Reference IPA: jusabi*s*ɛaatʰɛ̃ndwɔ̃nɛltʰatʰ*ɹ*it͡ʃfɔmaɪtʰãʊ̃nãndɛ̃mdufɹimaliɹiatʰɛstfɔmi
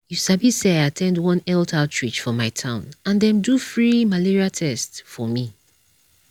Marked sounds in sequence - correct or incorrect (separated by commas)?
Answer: correct, correct